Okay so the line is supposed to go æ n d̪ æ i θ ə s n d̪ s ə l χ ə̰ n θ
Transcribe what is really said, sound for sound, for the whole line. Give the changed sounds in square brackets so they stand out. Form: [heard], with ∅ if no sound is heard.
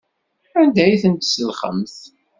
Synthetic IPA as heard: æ n d̪ æ [j] θ ə [∅] n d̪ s ə l χ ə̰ [m] θ